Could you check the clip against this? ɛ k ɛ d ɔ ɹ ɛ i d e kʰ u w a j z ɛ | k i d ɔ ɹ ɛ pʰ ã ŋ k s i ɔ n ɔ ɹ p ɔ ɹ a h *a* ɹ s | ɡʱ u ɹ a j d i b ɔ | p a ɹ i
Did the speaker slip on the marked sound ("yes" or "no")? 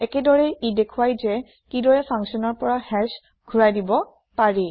yes